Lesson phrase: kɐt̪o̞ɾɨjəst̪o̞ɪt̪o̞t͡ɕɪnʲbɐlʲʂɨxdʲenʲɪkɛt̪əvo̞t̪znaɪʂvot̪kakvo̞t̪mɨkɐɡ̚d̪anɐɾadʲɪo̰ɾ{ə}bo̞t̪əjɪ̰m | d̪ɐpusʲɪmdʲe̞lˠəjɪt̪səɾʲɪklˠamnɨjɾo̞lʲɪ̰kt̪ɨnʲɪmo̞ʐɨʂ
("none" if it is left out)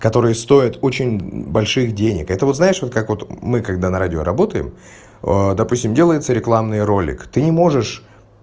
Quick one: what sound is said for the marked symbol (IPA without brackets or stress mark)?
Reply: ɐ